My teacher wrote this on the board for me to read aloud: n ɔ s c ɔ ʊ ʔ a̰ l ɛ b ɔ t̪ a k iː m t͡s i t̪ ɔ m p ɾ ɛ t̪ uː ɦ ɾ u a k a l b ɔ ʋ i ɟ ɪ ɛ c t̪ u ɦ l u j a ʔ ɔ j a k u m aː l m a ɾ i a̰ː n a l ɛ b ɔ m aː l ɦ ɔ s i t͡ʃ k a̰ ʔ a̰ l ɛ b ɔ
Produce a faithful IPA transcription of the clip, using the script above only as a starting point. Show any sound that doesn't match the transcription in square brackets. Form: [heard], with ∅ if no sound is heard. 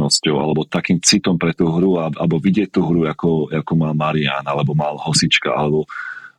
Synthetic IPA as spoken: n ɔ s c ɔ ʊ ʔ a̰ l ɛ b ɔ t̪ a k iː m t͡s i t̪ ɔ m p ɾ ɛ t̪ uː ɦ ɾ u a [∅] a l b ɔ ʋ i ɟ ɪ ɛ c t̪ u ɦ [ɾ] u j a [k] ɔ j a k u m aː l m a ɾ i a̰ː n a l ɛ b ɔ m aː l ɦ ɔ s i t͡ʃ k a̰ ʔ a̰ l ɛ b ɔ